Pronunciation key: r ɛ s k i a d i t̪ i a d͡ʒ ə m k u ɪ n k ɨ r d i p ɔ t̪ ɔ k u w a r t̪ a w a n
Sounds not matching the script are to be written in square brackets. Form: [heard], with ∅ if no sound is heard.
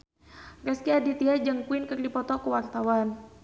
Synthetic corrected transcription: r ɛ s k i a d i t̪ i a d͡ʒ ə [ŋ] k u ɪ n k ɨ r d i p ɔ t̪ ɔ k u w a r t̪ a w a n

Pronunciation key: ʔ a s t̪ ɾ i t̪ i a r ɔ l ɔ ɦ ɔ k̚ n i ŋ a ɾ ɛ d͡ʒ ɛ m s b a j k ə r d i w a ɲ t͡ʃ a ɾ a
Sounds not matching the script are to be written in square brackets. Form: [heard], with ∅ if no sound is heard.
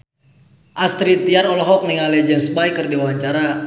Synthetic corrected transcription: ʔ a s t̪ ɾ i t̪ i a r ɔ l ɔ ɦ ɔ k̚ n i ŋ a [l] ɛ d͡ʒ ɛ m s b a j k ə r d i w a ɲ t͡ʃ a ɾ a

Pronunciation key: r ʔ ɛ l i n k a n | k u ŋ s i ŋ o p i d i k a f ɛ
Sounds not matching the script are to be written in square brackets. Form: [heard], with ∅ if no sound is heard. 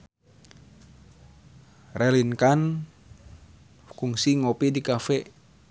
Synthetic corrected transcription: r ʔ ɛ l i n k a n | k u ŋ s i ŋ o p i d i k a f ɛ

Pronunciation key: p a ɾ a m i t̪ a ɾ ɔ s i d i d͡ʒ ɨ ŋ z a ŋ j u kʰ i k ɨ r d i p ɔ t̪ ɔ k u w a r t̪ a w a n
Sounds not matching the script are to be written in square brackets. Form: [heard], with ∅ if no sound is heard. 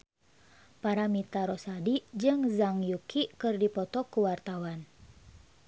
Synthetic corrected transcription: p a ɾ a m i t̪ a ɾ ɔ s [a] d i d͡ʒ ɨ ŋ z a ŋ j u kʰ i k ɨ r d i p ɔ t̪ ɔ k u w a r t̪ a w a n

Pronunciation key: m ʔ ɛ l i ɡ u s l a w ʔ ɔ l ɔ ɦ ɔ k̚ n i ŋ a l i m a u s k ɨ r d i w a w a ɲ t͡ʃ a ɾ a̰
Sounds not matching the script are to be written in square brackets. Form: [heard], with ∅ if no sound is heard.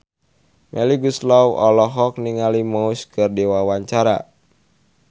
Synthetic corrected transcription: m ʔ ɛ l i ɡ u s l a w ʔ ɔ l ɔ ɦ ɔ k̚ n i ŋ a l i m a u s k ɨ r d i w a w a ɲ t͡ʃ a ɾ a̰

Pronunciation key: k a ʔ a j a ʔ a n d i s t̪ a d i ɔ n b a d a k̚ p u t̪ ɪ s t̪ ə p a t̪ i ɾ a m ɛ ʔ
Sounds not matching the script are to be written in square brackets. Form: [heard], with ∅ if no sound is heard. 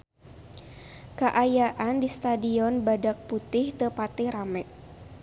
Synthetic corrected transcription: k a ʔ a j a ʔ a n d i s t̪ a d i ɔ n b a d a k̚ p u t̪ ɪ [h] t̪ ə p a t̪ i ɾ a m ɛ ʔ

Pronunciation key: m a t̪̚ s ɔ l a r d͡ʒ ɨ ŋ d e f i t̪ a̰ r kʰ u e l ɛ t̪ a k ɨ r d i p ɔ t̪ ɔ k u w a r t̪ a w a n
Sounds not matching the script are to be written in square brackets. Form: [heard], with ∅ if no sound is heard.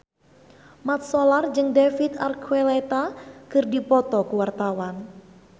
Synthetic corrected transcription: m a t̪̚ s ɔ l a r d͡ʒ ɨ ŋ d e f i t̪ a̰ r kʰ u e l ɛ t̪ a k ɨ r d i p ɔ t̪ ɔ k u w a r t̪ a w a n

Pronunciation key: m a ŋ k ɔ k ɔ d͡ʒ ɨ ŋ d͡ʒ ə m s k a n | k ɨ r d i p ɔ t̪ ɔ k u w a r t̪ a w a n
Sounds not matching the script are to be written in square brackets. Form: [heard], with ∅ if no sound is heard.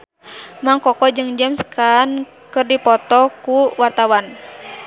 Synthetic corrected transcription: m a ŋ k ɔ k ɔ d͡ʒ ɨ ŋ d͡ʒ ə m s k a n | k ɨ r d i p ɔ t̪ ɔ k u w a r t̪ a w a n

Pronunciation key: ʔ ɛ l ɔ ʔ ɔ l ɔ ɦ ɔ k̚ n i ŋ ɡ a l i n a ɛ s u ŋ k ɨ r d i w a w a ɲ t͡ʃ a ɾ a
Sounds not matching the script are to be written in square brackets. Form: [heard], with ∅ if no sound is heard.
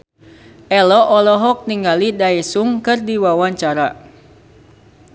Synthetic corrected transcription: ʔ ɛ l ɔ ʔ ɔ l ɔ ɦ ɔ k̚ n i ŋ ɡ a l i [d] a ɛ s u ŋ k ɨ r d i w a w a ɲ t͡ʃ a ɾ a

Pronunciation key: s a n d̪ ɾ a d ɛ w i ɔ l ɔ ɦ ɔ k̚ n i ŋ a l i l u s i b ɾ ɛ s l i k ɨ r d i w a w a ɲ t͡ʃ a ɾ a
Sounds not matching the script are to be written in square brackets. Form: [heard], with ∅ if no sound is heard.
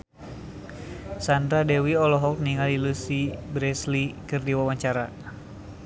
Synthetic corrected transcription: s a n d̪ ɾ a d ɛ w i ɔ l ɔ ɦ ɔ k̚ n i ŋ a l i l u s i b ɾ ɛ s l i k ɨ r d i w a w a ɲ t͡ʃ a ɾ a

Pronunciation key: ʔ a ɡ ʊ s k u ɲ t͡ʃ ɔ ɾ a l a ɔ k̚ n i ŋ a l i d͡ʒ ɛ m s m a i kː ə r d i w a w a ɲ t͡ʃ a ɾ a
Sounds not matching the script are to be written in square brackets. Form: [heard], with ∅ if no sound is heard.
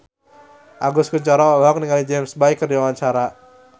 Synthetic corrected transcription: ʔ a ɡ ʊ s k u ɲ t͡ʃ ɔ ɾ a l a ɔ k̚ n i ŋ a l i d͡ʒ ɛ m s [b] a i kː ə r d i w a w a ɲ t͡ʃ a ɾ a

